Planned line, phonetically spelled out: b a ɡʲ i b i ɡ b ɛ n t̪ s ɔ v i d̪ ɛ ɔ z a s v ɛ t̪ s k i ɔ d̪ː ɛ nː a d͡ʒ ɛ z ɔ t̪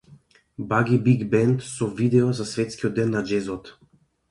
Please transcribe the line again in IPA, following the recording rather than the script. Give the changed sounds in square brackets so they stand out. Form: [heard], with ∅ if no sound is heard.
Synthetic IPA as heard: b a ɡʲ i b i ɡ b ɛ n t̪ s ɔ v i d̪ ɛ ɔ z a s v ɛ t̪ s k i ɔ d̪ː ɛ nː a d͡ʒ ɛ z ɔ t̪